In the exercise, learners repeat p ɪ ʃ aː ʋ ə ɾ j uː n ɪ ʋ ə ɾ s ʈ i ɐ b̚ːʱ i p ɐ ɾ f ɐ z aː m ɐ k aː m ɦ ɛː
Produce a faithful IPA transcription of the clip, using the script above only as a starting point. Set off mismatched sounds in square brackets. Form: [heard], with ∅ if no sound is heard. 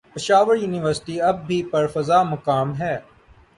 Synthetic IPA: p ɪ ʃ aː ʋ ə ɾ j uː n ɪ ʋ ə ɾ s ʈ i ɐ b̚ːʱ i p ɐ ɾ f ɐ z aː m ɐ k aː m ɦ ɛː